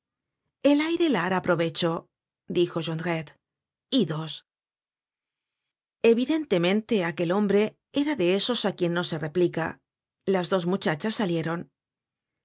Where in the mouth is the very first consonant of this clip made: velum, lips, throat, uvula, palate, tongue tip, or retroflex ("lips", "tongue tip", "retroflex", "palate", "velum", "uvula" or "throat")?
tongue tip